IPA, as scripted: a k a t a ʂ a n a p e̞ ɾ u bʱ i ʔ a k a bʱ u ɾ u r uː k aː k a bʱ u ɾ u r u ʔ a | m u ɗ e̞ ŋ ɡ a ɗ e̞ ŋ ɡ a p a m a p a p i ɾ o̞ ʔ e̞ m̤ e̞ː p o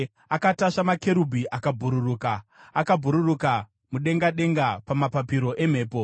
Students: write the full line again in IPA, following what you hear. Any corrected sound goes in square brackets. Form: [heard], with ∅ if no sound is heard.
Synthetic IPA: a k a t a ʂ a [m] a [k] e̞ ɾ u bʱ i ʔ a k a bʱ u ɾ u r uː k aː k a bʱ u ɾ u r u [k] a | m u ɗ e̞ ŋ ɡ a ɗ e̞ ŋ ɡ a p a m a p a p i ɾ o̞ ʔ e̞ m̤ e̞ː p o